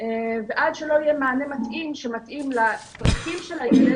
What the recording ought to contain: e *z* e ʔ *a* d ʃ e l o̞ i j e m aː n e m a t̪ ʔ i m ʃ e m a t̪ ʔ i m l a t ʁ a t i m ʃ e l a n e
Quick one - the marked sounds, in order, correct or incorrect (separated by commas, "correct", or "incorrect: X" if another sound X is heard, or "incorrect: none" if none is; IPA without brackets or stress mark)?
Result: incorrect: v, correct